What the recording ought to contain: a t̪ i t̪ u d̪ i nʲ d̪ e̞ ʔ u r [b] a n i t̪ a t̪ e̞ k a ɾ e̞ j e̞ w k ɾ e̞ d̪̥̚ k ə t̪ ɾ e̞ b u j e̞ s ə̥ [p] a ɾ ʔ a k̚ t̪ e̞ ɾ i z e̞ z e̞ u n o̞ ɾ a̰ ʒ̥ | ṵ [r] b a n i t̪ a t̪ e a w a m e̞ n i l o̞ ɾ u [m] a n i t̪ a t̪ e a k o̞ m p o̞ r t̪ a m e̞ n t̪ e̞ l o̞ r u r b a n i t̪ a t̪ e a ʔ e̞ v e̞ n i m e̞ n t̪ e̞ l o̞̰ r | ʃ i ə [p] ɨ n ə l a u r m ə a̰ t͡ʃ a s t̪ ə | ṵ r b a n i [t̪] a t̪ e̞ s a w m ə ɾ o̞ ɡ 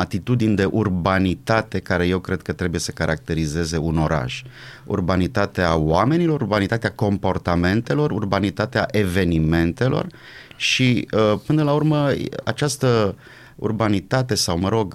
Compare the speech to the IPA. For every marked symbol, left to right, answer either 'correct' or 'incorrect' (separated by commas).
correct, incorrect, correct, incorrect, correct, correct